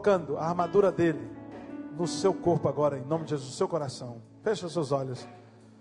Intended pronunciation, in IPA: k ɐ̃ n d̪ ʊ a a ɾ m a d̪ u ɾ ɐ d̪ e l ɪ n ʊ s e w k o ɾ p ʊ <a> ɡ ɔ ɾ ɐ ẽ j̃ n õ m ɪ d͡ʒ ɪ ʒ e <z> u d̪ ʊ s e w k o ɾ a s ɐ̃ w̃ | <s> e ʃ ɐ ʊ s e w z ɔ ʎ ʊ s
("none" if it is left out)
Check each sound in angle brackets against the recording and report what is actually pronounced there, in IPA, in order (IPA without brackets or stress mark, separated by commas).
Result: a, z, f